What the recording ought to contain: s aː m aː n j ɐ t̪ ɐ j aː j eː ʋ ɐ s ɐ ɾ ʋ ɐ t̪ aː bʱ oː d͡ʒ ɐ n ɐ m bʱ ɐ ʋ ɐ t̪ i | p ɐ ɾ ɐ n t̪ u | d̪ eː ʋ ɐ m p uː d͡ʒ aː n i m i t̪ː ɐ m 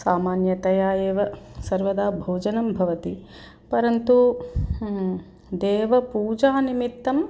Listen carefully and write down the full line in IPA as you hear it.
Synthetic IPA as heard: s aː m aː n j ɐ t̪ ɐ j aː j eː ʋ ɐ s ɐ ɾ ʋ ɐ d̪ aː bʱ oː d͡ʒ ɐ n ɐ m bʱ ɐ ʋ ɐ t̪ i | p ɐ ɾ ɐ n t̪ u | d̪ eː ʋ ɐ p uː d͡ʒ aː n i m i t̪ː ɐ m

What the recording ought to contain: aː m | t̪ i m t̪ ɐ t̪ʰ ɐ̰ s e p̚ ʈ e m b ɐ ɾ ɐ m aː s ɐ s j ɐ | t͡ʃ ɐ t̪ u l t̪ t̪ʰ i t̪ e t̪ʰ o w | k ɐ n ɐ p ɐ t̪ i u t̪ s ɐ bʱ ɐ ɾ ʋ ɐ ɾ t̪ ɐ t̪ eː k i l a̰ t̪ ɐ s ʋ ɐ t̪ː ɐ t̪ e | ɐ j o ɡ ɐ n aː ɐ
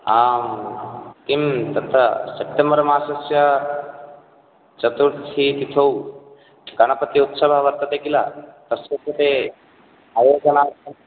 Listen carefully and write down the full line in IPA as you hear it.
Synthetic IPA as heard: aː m | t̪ i m t̪ ɐ t̪ʰ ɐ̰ s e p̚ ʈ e m b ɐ ɾ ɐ m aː s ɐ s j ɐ | t͡ʃ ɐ t̪ u ɾ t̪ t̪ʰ i t̪ i t̪ʰ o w | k ɐ n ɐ p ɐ t̪ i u t̪ s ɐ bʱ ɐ ʋ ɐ ɾ t̪ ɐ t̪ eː k i l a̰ t̪ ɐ s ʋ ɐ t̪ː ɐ t̪ e | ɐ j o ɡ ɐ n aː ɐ

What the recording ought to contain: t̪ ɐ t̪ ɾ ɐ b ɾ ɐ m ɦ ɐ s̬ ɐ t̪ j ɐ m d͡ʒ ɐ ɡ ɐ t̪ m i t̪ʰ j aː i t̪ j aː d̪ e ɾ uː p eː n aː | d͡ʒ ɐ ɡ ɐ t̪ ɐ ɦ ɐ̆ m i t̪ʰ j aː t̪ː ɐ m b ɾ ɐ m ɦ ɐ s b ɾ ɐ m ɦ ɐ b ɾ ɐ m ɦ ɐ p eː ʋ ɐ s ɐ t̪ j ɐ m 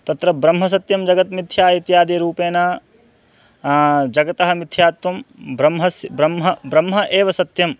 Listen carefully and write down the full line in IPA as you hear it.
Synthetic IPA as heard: t̪ ɐ t̪ ɾ ɐ b ɾ ɐ m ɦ ɐ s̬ ɐ t̪ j ɐ m d͡ʒ ɐ ɡ ɐ t̪ m i t̪ʰ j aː i t̪ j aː d̪ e ɾ uː p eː n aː | d͡ʒ ɐ ɡ ɐ t̪ ɐ ɦ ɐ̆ m i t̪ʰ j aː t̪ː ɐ m b ɾ ɐ m ɦ ɐ s b ɾ ɐ m ɦ ɐ b ɾ ɐ m ɦ ɐ ʔ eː ʋ ɐ s ɐ t̪ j ɐ m

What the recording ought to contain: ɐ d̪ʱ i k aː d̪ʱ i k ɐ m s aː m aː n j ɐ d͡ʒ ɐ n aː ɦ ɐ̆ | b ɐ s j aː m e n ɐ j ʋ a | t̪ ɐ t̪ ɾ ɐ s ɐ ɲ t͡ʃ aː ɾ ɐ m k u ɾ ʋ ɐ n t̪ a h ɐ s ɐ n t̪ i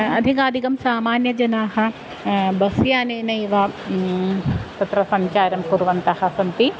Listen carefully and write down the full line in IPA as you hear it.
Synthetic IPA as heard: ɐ d̪ʱ i k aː d̪ʱ i k ɐ m s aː m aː n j ɐ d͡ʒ ɐ n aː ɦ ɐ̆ | b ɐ s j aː n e n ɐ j ʋ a | t̪ ɐ t̪ ɾ ɐ s ɐ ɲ t͡ʃ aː ɾ ɐ m k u ɾ ʋ ɐ n t̪ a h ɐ s ɐ n t̪ i

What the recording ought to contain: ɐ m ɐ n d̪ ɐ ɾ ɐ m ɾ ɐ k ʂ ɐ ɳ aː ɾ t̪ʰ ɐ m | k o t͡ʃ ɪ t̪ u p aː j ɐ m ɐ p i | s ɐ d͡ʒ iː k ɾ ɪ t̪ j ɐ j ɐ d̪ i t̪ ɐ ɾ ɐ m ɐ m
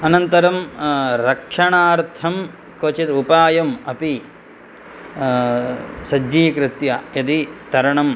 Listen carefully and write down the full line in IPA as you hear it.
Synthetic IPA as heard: ɐ n ɐ n t̪ ɐ ɾ ɐ m ɾ ɐ k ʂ ɐ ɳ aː ɾ t̪ʰ ɐ m | k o t͡ʃ i t̪ u p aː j ɐ m ɐ p i | s ɐ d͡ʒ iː k ɾ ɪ t̪ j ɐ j ɐ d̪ i t̪ ɐ ɾ ɐ ɳ ɐ m

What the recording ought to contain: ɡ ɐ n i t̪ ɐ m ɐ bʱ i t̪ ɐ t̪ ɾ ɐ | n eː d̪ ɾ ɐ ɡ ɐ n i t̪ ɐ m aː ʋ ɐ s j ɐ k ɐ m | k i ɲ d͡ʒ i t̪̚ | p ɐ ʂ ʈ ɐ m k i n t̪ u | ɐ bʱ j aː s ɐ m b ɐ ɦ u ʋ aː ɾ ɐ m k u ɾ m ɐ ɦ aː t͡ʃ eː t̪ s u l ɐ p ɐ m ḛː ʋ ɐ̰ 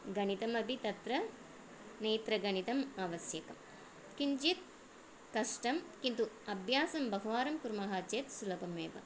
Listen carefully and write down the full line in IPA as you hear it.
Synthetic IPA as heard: ɡ ɐ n i t̪ ɐ m ɐ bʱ i t̪ ɐ t̪ ɾ ɐ | n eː t̪ ɾ ɐ ɡ ɐ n i t̪ ɐ m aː ʋ ɐ s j ɐ k ɐ m | k i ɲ d͡ʒ i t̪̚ | k ɐ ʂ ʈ ɐ m k i n t̪ u | ɐ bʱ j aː s ɐ m b ɐ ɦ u ʋ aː ɾ ɐ m k u ɾ m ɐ ɦ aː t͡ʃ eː t̪ s u l ɐ p ɐ m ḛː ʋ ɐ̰

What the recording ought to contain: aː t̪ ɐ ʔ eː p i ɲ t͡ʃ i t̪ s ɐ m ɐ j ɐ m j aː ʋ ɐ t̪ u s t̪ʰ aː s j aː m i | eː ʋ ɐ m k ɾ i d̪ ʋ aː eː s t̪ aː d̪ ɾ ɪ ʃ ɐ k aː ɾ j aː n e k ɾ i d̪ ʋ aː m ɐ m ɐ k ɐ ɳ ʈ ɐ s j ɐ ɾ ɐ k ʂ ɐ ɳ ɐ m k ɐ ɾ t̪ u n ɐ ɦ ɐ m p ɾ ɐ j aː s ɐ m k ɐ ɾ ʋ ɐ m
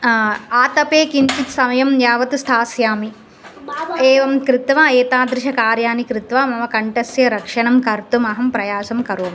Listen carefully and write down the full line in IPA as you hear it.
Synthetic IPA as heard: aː t̪ ɐ p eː k i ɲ t͡ʃ i t̪ s ɐ m ɐ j ɐ m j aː ʋ ɐ t̪ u s t̪ʰ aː s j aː m i | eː ʋ ɐ m k ɾ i t̪ ʋ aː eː t̪ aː d̪ ɾ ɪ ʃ ɐ k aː ɾ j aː n i k ɾ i t̪ ʋ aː m ɐ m ɐ k ɐ ɳ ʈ ɐ s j ɐ ɾ ɐ k ʂ ɐ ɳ ɐ m k ɐ ɾ t̪ u m ɐ ɦ ɐ m p ɾ ɐ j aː s ɐ m k ɐ ɾ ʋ ɐ m

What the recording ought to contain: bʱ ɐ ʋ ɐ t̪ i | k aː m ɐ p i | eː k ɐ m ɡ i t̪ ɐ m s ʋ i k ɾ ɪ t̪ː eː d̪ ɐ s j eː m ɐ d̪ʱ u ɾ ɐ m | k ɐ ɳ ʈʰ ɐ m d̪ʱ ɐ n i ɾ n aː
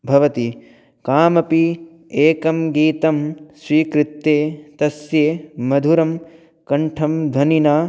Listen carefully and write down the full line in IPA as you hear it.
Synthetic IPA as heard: bʱ ɐ ʋ ɐ t̪ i | k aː m ɐ p i | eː k ɐ m ɡ iː t̪ ɐ m s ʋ iː k ɾ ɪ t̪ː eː t̪ ɐ s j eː m ɐ d̪ʱ u ɾ ɐ m | k ɐ ɳ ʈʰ ɐ m d̪ʱ ɐ n i n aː

